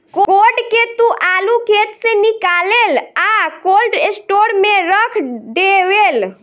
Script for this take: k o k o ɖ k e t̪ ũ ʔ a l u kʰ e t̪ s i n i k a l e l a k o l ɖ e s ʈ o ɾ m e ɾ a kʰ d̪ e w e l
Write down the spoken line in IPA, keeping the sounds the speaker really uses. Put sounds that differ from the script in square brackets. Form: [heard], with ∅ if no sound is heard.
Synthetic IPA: k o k o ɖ k e t̪ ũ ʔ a l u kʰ e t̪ s [e] n i k a l e l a k o l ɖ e s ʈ o ɾ m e ɾ [ə] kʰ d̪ e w e l